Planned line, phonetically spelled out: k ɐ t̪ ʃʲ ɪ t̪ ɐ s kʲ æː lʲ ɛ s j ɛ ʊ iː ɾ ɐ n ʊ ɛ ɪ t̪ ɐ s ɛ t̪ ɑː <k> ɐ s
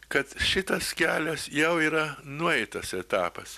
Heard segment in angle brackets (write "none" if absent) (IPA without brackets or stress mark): p